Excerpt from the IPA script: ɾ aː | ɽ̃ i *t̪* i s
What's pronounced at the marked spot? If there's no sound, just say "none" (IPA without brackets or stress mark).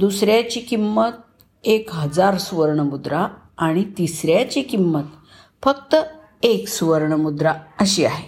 t̪